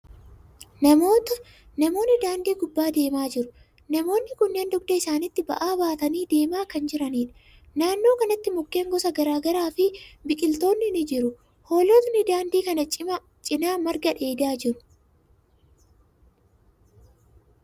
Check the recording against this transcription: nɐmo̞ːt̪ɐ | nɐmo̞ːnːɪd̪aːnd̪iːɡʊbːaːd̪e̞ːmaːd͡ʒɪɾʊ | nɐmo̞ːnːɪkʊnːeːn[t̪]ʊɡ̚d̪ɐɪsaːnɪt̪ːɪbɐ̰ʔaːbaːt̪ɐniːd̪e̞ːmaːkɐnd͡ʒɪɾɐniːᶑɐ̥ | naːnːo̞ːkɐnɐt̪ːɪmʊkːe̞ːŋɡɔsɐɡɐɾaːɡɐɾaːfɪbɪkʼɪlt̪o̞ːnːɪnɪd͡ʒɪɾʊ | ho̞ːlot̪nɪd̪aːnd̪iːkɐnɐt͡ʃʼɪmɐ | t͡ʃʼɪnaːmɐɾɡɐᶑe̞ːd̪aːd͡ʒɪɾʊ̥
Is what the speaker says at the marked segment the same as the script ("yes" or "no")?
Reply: no